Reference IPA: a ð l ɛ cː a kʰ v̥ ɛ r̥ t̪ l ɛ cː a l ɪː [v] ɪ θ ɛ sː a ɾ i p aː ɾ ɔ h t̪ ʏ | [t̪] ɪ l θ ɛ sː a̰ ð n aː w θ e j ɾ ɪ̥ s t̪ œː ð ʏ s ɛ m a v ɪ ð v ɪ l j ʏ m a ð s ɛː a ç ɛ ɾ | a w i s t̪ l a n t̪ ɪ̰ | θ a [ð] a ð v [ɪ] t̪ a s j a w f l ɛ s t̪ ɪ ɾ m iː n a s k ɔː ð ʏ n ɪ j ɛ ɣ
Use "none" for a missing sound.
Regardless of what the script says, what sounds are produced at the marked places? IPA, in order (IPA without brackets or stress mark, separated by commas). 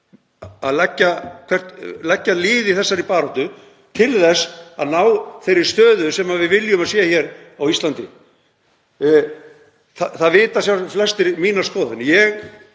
ð, t̪ʰ, θ, ɪː